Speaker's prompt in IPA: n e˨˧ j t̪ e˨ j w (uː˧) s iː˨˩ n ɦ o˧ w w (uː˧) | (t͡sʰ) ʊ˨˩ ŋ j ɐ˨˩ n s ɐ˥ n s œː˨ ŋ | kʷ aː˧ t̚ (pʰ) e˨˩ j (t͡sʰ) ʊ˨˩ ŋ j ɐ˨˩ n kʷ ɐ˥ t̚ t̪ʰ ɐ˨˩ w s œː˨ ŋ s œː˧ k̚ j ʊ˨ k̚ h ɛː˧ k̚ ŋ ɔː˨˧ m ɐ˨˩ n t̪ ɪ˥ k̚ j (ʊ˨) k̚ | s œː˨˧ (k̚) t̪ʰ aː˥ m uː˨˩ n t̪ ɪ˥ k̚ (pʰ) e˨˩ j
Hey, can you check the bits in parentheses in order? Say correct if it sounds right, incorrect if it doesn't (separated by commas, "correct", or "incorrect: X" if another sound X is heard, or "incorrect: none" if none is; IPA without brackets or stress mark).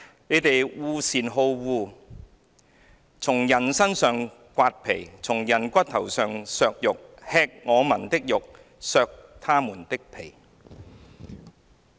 correct, correct, correct, correct, correct, correct, correct, correct